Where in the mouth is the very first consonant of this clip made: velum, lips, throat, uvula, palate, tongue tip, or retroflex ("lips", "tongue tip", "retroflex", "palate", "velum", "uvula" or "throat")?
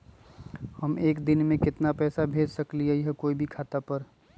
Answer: throat